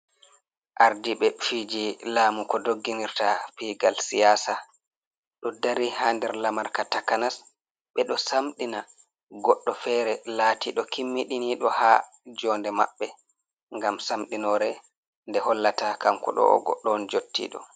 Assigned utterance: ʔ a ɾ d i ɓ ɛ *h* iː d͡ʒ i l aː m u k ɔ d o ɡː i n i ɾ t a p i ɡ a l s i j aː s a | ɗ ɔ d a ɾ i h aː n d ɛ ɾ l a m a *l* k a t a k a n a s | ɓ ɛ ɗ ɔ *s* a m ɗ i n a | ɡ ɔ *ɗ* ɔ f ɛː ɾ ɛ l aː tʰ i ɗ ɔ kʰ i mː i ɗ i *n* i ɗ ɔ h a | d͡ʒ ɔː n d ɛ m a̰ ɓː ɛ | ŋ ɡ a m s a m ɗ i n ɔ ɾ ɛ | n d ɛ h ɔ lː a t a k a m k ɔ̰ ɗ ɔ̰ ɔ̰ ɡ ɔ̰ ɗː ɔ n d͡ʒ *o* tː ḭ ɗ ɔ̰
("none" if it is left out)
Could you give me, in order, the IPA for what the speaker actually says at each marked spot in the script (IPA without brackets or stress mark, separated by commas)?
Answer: f, ɾ, s, ɗː, n, o